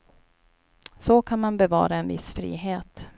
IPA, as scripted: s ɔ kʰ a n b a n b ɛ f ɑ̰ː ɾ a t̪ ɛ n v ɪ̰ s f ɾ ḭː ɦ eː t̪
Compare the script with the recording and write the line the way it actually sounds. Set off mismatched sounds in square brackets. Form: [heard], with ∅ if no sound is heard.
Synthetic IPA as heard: s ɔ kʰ a n [m] a n b ɛ [v] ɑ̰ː ɾ a [∅] ɛ n v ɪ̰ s f ɾ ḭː ɦ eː t̪